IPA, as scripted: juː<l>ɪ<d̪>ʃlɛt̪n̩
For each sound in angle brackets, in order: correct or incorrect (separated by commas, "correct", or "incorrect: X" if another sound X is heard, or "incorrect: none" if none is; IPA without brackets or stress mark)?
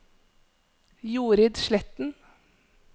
incorrect: ɾ, correct